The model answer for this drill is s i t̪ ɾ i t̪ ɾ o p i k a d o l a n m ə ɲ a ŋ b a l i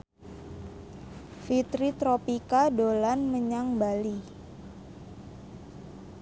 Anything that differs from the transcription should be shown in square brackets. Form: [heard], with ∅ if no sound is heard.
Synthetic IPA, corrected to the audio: [f] i t̪ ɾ i t̪ ɾ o p i k a d o l a n m ə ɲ a ŋ b a l i